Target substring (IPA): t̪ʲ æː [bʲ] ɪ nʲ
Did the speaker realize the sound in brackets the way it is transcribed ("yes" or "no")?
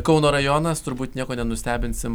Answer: yes